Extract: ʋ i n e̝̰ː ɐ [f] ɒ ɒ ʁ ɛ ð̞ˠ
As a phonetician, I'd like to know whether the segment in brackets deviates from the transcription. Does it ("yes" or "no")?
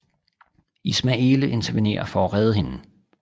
no